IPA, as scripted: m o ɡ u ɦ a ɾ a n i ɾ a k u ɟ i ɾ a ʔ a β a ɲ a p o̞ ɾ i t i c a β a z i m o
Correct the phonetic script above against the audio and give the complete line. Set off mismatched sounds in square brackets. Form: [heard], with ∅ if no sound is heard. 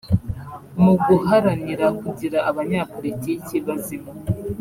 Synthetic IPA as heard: m [u] ɡ u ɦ a ɾ a n i ɾ a k u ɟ i ɾ a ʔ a β a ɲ a p o̞ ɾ i t i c [i] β a z i m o

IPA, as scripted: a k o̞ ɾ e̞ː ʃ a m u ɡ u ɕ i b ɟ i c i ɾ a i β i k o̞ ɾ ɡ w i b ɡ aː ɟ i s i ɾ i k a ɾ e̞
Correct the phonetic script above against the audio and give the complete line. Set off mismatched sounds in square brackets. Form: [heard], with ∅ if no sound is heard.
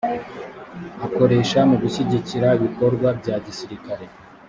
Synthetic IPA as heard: a k o̞ ɾ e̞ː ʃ a m u ɡ u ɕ i [∅] ɟ i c i ɾ a i β i k o̞ ɾ ɡ w [a] b [ɟ] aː ɟ i s i ɾ i k a ɾ e̞

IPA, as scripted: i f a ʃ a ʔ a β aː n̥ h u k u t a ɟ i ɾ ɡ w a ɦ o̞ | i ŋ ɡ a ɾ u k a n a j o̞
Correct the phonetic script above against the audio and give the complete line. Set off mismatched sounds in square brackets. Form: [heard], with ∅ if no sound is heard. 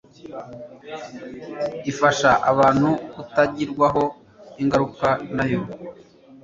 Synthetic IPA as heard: i f a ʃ a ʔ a β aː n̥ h u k u t a ɟ i ɾ ɡ w a ɦ o̞ | i ŋ ɡ a ɾ u k a n a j o̞

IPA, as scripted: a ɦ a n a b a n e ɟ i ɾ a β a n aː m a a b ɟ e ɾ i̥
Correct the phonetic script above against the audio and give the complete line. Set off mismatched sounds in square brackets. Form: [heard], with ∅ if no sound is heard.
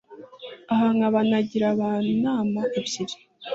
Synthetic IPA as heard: a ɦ a [ŋ] a [β] a n [a] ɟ i ɾ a β a n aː m a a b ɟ [i] ɾ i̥

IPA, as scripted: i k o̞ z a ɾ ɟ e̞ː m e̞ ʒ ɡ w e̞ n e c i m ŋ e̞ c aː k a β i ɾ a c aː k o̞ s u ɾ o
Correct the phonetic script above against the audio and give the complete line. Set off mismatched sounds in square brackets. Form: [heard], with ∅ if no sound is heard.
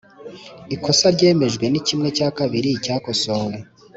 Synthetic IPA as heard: i k o̞ [s] a ɾ ɟ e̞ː m e̞ ʒ ɡ w e̞ n [i] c i m ŋ e̞ c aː k a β i ɾ [i] c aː k o̞ s [o] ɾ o

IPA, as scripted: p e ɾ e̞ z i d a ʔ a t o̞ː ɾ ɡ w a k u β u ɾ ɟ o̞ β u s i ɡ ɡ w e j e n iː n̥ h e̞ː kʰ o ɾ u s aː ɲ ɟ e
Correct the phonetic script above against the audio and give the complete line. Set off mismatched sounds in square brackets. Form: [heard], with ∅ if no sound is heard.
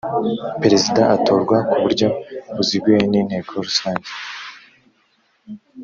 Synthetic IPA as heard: p e ɾ e̞ z i d a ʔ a t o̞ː ɾ ɡ w a k u β u ɾ ɟ o̞ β u [z] i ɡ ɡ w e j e n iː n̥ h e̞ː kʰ o ɾ u s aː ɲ ɟ e

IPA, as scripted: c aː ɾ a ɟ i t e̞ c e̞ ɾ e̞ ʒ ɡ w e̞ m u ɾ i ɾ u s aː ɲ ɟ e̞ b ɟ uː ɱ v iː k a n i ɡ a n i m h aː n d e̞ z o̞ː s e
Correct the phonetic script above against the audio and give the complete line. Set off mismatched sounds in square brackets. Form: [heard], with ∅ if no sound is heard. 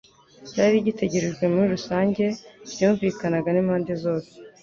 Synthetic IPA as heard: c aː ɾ [i] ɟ i t e̞ [ɟ] e̞ ɾ e̞ ʒ ɡ w e̞ m u ɾ i ɾ u s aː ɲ ɟ e̞ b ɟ uː ɱ v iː k a n [a] ɡ a n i m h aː n d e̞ z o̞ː s e

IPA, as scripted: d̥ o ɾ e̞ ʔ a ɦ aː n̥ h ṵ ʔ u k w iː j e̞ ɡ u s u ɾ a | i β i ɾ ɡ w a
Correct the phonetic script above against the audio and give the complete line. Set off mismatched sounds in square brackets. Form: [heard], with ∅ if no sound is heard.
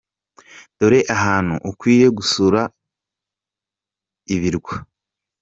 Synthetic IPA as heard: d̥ o ɾ e̞ ʔ a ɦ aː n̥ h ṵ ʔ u k w iː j e̞ ɡ u s u ɾ a | i β i ɾ ɡ w a

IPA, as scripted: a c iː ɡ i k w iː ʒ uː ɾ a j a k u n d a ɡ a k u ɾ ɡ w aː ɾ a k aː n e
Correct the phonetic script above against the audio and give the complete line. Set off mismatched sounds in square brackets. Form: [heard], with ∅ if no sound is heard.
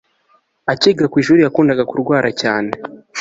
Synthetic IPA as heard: a c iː ɡ [a] k w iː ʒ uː ɾ [i] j a k [uː] n d a ɡ a k u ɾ ɡ w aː ɾ a [c] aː n e

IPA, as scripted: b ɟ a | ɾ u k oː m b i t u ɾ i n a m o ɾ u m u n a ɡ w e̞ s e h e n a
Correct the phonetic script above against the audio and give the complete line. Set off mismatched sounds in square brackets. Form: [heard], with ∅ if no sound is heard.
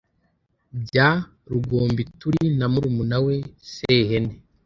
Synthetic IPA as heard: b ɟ a | ɾ u [ɡ] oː m b i t u ɾ i n a m [u] ɾ u m u n a [∅] w e̞ s e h e n [e]

